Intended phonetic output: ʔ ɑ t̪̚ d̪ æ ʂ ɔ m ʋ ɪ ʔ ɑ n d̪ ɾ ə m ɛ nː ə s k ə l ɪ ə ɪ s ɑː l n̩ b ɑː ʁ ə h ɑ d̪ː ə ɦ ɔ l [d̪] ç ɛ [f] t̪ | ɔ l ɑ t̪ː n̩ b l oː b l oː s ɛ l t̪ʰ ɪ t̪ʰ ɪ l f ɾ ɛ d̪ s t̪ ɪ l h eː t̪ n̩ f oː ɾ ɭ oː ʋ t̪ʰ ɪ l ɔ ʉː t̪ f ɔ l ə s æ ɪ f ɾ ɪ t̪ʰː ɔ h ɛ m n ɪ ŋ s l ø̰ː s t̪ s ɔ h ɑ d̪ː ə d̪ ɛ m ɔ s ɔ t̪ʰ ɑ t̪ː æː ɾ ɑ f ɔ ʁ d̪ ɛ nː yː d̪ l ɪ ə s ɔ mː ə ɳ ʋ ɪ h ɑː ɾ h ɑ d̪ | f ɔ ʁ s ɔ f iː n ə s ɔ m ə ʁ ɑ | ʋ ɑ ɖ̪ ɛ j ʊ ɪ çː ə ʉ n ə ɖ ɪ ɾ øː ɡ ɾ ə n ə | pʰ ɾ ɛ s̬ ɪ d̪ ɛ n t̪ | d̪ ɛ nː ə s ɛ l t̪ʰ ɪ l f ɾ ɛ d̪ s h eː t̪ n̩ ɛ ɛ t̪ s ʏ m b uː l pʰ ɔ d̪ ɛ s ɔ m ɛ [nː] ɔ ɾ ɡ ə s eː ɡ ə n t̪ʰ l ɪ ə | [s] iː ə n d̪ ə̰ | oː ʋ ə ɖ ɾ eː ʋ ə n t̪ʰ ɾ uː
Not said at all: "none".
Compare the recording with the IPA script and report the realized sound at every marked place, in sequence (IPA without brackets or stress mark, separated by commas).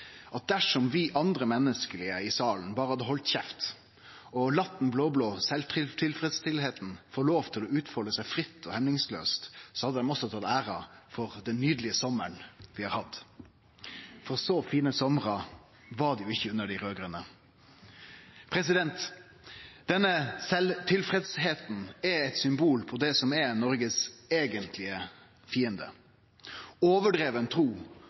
t̪, f, n, f